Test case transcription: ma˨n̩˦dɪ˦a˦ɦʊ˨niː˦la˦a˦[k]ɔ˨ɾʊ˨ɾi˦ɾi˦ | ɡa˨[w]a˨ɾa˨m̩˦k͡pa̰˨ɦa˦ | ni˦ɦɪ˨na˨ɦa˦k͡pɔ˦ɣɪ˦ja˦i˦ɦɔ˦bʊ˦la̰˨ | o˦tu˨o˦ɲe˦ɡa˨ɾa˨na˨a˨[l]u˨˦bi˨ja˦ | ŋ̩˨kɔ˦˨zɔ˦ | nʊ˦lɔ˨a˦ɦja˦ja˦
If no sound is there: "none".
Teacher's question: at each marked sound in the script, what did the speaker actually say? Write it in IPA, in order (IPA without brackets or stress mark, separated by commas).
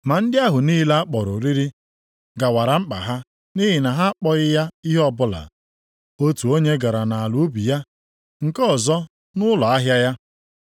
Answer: k͡p, w, l